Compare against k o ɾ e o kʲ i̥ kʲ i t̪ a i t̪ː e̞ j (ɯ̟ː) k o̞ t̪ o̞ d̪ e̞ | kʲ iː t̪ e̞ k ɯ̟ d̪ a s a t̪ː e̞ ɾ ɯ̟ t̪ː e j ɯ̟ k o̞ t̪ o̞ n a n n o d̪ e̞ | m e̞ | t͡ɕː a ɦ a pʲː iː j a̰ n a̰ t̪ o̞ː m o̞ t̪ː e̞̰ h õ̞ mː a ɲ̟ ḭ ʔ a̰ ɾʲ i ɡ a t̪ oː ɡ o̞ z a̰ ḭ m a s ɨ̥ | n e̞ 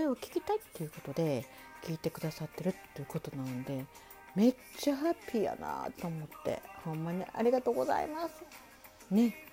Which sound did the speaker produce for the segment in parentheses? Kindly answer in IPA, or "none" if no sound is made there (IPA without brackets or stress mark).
ɯ̟